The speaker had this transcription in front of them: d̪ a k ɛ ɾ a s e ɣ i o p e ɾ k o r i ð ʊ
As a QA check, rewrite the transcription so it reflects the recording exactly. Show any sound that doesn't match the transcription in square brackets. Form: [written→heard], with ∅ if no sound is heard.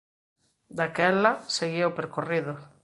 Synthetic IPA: d̪ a k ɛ [ɾ→l] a s e ɣ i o p e ɾ k o r i ð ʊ